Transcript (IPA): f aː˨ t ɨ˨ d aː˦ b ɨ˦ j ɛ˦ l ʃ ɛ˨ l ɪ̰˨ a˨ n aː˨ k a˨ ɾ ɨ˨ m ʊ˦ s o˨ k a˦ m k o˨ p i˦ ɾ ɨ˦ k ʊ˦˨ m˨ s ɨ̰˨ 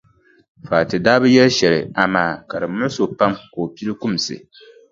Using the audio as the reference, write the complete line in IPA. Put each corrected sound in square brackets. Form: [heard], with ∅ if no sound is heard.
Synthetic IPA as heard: f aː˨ t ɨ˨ d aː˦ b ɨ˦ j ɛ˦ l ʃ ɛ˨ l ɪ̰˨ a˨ [m] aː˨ k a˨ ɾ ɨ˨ m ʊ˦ s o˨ [p] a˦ m k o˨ p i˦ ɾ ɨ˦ k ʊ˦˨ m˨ s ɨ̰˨